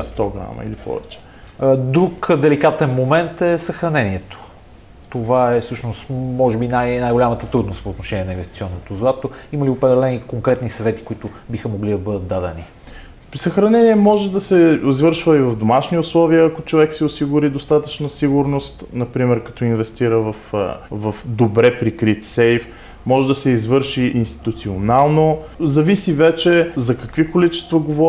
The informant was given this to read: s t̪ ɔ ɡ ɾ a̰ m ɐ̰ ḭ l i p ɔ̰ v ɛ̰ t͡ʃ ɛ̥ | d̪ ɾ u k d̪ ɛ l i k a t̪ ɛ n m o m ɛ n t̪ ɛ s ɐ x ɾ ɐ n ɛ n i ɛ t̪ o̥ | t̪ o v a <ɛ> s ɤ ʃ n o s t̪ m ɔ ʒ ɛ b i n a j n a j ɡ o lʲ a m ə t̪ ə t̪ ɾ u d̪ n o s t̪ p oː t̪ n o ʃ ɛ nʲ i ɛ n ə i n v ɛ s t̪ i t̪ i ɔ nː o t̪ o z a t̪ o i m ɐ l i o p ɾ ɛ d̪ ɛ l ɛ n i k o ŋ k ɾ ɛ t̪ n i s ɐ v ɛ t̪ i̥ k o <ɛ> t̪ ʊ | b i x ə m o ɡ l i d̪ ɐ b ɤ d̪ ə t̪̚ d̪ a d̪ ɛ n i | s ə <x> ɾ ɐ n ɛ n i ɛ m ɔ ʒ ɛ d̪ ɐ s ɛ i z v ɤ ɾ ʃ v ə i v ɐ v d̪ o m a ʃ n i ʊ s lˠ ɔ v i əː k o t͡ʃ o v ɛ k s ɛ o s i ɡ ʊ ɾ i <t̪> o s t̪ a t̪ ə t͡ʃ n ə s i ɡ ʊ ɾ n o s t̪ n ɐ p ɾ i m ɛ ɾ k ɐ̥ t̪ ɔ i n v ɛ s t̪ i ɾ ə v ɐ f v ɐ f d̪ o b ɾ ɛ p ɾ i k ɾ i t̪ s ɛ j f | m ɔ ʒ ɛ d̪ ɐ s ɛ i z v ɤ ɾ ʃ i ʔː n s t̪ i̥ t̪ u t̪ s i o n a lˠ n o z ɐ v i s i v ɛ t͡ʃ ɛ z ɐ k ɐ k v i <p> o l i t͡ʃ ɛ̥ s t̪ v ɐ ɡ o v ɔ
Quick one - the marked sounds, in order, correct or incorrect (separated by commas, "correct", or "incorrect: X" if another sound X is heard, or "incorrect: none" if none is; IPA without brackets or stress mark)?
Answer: correct, incorrect: i, correct, incorrect: d̪, incorrect: k